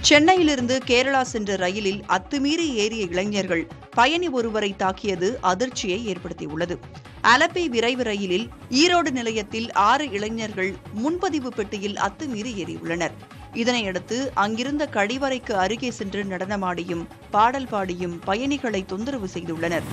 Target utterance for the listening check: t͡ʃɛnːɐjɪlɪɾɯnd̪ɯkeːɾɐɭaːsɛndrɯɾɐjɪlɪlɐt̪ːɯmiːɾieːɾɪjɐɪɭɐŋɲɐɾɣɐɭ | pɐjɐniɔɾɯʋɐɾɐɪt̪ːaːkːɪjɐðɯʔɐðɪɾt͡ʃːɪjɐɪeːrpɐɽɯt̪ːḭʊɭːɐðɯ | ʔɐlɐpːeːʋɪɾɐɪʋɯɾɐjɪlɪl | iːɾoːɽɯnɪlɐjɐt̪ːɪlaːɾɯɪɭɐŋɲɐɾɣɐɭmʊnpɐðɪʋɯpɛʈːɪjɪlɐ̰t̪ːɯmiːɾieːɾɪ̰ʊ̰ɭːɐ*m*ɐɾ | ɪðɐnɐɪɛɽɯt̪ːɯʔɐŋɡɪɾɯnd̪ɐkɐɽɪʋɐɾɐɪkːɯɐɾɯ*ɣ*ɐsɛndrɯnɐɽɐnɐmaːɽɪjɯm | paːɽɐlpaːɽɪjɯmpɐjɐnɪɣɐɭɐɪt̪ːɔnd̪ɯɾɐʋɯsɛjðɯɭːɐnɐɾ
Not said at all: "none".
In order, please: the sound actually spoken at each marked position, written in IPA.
n, ɣ

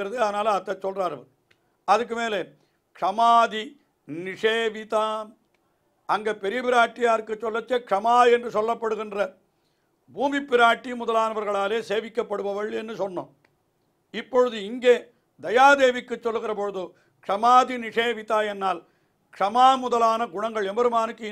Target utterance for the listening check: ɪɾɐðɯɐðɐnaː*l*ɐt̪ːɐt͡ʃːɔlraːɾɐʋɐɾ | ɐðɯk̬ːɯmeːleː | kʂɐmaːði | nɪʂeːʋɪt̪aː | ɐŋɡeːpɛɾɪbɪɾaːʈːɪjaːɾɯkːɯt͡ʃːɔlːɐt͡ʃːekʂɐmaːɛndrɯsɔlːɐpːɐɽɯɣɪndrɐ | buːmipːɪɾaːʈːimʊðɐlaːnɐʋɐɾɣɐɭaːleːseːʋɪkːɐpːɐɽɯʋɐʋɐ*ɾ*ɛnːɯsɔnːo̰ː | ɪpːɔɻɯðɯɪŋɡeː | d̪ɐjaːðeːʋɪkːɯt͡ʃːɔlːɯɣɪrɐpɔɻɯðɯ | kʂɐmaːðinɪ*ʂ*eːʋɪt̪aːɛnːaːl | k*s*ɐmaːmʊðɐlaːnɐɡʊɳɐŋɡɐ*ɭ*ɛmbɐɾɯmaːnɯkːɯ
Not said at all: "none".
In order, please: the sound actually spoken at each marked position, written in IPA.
l, ɭ, ʂ, ʂ, ɭ

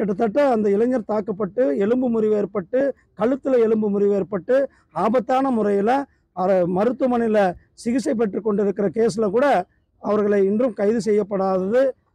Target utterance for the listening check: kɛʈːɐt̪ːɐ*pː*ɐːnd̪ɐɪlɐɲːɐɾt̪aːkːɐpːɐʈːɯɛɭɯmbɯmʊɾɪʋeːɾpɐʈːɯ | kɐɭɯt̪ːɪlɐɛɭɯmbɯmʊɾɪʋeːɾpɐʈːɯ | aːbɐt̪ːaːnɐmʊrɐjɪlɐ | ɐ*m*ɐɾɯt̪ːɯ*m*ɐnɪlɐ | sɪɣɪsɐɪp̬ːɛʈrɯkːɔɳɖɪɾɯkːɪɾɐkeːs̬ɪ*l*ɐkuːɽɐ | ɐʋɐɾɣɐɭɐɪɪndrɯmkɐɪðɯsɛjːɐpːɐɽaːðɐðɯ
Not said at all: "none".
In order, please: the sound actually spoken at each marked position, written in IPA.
ʈː, m, m, l

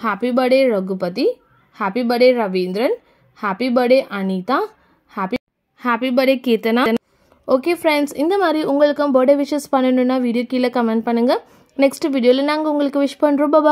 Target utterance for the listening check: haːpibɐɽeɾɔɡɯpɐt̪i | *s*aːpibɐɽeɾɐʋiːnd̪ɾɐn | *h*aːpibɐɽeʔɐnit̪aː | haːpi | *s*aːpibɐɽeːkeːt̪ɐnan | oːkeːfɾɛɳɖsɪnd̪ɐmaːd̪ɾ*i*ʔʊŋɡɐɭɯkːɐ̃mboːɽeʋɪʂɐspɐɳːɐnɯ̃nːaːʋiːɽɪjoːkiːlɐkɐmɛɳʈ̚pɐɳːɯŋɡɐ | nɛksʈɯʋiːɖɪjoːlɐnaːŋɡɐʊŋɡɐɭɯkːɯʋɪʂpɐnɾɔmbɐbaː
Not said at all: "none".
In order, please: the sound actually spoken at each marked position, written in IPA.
h, h, h, i

